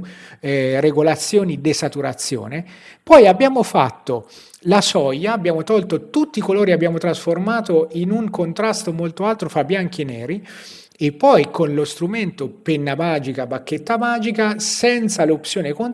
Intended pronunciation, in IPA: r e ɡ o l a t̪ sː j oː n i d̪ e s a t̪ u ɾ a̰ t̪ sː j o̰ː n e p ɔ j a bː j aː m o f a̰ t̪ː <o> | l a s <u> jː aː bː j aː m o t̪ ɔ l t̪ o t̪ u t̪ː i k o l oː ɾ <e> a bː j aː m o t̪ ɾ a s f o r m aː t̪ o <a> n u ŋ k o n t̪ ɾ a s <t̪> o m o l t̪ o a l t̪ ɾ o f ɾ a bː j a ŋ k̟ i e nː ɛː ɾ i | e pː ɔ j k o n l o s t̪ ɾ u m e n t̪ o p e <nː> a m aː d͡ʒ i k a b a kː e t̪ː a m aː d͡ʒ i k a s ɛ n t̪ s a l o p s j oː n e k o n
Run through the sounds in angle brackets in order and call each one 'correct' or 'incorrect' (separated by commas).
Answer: correct, incorrect, incorrect, incorrect, correct, correct